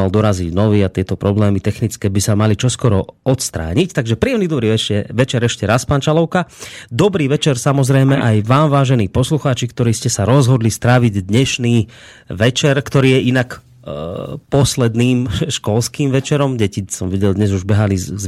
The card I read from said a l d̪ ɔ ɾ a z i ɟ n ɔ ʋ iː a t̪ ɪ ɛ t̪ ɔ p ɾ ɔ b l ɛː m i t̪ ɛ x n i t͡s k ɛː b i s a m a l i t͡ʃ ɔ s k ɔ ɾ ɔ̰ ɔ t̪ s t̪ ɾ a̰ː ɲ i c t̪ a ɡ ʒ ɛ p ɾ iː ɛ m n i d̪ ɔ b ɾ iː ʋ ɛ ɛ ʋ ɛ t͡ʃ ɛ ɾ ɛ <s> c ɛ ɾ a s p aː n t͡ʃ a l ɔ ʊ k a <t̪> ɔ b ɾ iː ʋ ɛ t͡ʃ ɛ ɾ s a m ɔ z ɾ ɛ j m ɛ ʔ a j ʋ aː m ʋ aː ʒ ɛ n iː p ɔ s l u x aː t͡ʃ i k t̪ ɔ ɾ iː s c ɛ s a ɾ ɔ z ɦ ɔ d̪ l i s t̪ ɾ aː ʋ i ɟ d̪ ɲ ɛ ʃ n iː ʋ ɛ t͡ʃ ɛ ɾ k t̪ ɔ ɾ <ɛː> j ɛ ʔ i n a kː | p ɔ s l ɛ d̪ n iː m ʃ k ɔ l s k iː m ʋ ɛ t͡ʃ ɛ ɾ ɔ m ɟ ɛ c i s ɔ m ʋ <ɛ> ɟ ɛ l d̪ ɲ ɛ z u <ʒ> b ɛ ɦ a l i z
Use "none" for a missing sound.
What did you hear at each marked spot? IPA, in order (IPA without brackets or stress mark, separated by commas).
ʃ, d̪, iː, i, ʒ